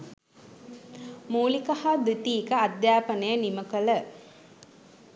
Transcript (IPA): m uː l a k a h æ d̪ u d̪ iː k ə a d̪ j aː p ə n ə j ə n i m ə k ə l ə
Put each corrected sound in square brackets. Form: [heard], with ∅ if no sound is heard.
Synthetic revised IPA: m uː l [i] k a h [a] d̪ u [t̪] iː k ə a d̪ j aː p ə n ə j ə n i m ə k ə l ə